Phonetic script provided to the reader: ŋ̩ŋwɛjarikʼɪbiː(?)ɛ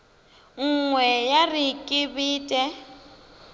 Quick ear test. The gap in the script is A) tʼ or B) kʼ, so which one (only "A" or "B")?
A